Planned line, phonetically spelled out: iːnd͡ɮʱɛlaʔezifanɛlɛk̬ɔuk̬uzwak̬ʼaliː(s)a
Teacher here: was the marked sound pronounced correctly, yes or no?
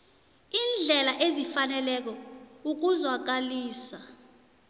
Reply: yes